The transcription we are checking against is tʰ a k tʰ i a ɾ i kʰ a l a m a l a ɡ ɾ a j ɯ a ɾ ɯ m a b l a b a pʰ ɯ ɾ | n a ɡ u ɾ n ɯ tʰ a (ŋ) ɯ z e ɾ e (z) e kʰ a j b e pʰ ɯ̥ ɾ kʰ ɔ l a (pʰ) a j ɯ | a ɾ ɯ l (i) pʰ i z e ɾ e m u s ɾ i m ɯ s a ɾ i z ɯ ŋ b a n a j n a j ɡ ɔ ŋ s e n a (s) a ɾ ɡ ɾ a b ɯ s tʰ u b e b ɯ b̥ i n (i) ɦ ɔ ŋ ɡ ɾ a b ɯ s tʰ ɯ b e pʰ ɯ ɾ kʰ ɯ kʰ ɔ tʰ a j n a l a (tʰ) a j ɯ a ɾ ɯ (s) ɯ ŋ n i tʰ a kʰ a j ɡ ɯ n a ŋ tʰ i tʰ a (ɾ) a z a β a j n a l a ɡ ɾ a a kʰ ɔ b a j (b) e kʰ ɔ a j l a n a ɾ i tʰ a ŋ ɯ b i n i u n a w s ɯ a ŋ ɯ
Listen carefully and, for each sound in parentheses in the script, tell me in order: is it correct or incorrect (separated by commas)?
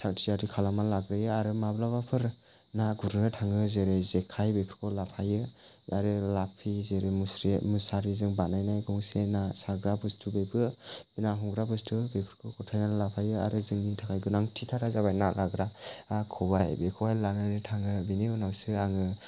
correct, correct, correct, incorrect, correct, incorrect, incorrect, incorrect, correct, correct